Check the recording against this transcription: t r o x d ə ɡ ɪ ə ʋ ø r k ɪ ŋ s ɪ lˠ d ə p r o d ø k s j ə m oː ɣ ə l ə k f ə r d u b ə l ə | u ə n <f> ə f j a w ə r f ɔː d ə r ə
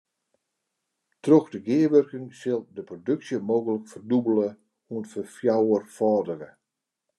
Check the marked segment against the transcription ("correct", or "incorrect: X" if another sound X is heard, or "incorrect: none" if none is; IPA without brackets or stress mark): correct